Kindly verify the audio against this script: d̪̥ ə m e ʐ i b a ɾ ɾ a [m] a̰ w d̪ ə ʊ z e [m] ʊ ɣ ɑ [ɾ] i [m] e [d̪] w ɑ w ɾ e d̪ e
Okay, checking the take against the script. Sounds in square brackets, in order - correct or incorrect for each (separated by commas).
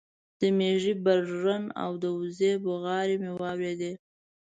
incorrect, incorrect, correct, correct, incorrect